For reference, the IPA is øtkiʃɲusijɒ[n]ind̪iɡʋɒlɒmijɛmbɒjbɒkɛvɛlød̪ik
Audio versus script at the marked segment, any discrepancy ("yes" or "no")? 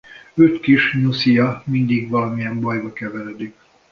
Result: yes